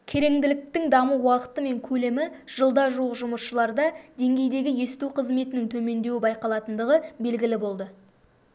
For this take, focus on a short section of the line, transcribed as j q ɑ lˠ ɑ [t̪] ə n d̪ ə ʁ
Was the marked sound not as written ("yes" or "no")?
no